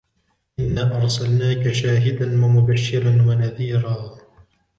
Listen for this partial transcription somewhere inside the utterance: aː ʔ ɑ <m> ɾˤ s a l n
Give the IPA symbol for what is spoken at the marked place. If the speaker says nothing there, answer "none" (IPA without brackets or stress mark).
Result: none